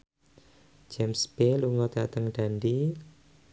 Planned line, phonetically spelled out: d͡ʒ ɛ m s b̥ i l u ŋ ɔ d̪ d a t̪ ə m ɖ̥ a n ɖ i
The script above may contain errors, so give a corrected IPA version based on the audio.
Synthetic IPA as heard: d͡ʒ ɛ m s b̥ e l u ŋ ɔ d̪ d a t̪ ə ŋ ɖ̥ a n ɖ i